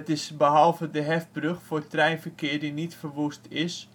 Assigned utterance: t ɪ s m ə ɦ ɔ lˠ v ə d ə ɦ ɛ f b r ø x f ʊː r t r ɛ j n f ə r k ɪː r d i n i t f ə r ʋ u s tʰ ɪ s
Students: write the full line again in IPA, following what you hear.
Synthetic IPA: t ɪ s b ə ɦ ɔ lˠ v ə d ə ɦ ɛ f b r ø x f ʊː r t r ɛ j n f ə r k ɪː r d i n i t f ə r ʋ u s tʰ ɪ s